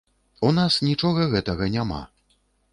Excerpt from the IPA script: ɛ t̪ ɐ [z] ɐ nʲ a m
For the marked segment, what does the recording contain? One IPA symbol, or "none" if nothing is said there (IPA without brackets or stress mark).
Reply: ɣ